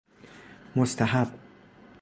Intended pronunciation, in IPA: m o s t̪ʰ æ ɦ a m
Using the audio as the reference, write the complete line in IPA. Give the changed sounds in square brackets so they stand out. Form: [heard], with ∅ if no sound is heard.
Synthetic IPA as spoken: m o s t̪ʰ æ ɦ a [b]